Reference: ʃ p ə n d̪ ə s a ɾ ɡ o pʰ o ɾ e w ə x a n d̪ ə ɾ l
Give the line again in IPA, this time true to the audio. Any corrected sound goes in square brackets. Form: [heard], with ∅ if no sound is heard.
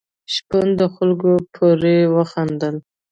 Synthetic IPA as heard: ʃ p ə n d̪ ə [x] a [l] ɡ o pʰ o ɾ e w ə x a n d̪ ə [∅] l